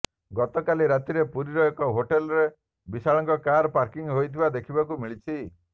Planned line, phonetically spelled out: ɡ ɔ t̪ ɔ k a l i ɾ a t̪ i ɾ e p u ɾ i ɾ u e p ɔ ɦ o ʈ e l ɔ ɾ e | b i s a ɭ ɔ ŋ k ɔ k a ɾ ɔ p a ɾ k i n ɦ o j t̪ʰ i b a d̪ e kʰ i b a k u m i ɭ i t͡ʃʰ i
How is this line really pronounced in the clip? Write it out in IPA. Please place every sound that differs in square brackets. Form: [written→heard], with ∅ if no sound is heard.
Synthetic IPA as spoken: ɡ ɔ t̪ ɔ k a l i ɾ a t̪ i ɾ e p u ɾ i ɾ [u→ɔ] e [p→k] ɔ ɦ o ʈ e l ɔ ɾ e | b i s a ɭ ɔ ŋ k ɔ k a ɾ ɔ p a ɾ k i [n→ŋ] ɦ o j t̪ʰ i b a d̪ e kʰ i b a k u m i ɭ i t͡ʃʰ i